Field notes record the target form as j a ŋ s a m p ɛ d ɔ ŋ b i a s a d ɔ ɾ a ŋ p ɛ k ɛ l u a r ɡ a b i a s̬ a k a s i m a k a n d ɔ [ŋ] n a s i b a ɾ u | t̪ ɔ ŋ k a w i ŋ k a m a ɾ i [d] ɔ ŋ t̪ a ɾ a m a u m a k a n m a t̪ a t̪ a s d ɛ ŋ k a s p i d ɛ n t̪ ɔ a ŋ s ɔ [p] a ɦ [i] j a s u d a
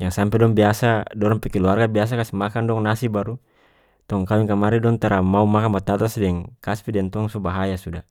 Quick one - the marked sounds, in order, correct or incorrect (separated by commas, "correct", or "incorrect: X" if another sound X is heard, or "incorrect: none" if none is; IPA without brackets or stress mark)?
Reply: correct, correct, incorrect: b, incorrect: a